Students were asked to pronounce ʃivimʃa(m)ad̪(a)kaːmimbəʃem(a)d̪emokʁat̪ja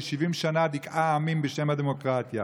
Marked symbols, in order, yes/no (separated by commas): no, no, yes